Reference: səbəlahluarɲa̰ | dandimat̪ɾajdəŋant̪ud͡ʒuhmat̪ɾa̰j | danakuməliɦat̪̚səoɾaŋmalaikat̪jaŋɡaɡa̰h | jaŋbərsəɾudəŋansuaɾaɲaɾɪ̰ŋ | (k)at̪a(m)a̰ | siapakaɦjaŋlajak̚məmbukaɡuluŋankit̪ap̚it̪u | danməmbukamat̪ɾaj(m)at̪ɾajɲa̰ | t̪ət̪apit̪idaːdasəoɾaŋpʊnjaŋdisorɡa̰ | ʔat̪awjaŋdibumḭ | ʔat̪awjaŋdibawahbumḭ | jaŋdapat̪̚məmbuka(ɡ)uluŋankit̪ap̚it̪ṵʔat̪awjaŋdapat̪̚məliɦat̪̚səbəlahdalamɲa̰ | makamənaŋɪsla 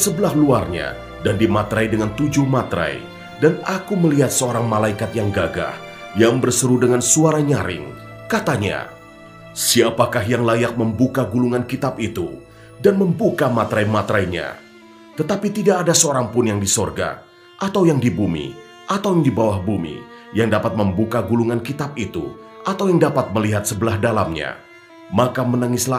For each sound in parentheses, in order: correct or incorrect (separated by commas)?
correct, incorrect, correct, correct